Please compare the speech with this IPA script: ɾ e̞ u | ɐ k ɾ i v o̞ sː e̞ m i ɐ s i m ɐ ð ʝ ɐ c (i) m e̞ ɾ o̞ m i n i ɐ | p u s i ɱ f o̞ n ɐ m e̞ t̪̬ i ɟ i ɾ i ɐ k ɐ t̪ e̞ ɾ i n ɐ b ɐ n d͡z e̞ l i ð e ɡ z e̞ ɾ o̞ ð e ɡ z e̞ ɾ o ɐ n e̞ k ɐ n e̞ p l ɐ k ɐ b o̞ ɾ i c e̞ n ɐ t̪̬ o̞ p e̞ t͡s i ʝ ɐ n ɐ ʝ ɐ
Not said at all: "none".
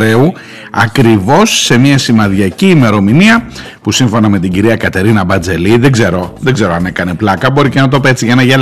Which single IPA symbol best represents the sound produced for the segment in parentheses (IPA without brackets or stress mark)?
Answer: iː